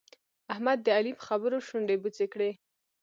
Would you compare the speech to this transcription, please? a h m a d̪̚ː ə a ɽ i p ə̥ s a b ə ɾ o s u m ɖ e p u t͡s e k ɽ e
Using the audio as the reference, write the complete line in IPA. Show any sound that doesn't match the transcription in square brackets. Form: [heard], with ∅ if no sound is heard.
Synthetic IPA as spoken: a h m a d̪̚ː ə a [l] i p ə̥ [x] a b ə ɾ o [ʃ] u [ɳ] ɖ e [b] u t͡s e k ɽ e